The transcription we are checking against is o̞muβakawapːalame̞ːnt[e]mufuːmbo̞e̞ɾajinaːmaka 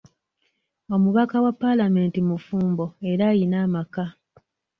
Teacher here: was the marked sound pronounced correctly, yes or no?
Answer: no